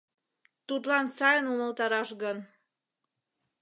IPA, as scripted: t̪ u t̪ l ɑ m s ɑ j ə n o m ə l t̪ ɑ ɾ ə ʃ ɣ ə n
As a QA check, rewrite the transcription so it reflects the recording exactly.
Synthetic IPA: t̪ u t̪ l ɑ n s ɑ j ə n u m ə l t̪ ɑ ɾ ɑ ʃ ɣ ə n